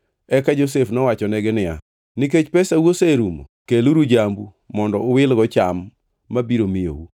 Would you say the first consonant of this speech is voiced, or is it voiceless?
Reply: voiceless